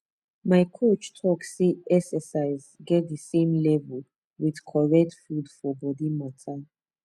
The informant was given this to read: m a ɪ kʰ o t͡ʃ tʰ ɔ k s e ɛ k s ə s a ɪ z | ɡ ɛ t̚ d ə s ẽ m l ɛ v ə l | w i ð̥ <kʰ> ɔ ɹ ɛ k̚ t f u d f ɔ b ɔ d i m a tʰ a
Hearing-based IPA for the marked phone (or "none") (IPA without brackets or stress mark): kʰ